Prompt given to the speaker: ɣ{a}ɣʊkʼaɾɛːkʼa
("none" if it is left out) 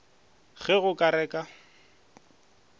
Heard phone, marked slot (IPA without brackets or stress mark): ɛ